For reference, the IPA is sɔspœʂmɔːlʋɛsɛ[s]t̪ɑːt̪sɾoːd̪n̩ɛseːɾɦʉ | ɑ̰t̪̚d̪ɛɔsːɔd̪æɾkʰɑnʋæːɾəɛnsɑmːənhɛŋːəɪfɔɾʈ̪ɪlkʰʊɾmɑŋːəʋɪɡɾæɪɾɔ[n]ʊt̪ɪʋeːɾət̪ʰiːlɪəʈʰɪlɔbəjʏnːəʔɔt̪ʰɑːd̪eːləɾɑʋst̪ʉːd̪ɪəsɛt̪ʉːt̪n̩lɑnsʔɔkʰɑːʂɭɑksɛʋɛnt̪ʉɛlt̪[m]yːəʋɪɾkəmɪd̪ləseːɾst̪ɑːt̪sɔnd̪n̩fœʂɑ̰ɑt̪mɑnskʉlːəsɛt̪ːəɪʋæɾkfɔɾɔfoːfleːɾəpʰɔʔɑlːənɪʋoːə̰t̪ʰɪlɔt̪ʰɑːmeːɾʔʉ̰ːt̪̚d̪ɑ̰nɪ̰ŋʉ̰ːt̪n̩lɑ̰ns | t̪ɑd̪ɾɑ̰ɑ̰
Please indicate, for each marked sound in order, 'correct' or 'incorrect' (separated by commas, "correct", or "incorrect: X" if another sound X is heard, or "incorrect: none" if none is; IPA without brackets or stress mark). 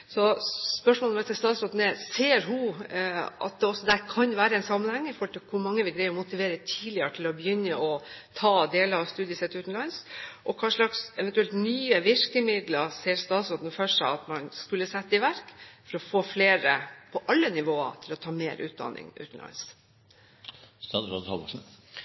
correct, incorrect: m, incorrect: n